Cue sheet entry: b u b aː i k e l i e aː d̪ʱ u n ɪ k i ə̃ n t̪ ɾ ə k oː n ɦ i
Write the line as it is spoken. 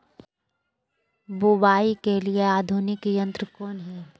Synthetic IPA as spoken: b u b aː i k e l i e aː d̪ʱ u n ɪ k j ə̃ n t̪ ɾ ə k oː n ɦ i